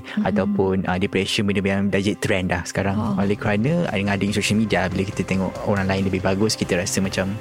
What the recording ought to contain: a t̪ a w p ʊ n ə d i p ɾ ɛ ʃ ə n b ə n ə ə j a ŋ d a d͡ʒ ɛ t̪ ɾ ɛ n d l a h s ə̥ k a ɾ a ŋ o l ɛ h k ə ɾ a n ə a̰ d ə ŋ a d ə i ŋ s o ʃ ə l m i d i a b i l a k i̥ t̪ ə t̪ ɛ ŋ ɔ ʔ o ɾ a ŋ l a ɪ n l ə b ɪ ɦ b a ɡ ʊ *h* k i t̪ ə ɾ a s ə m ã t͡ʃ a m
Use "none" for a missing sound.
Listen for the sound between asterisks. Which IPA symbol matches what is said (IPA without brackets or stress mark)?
s